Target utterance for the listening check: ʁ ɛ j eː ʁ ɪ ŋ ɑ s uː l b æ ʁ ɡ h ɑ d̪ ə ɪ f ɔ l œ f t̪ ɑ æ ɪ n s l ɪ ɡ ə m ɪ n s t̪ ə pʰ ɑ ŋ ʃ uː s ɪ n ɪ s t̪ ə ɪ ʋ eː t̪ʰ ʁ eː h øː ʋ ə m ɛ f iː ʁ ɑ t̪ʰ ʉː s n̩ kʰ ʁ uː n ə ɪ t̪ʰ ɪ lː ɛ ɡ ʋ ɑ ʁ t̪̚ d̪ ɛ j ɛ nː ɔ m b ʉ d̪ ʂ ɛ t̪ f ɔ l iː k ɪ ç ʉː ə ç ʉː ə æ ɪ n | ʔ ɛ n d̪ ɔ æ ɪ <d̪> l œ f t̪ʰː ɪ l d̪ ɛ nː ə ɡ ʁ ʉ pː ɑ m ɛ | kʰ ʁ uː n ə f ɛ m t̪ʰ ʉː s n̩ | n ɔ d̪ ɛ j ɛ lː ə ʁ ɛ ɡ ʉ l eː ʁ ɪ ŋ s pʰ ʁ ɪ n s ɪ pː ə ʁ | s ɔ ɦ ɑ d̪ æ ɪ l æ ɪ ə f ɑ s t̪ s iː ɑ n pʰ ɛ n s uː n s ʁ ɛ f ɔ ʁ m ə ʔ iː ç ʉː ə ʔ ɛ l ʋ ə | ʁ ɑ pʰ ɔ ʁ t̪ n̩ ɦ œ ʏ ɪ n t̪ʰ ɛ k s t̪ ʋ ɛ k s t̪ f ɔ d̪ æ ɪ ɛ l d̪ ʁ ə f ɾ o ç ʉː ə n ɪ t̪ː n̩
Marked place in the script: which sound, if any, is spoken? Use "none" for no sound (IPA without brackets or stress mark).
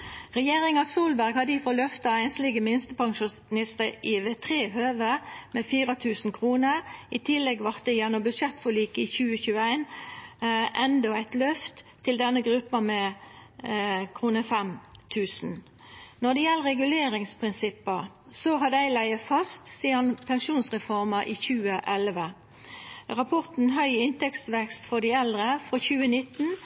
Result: t̪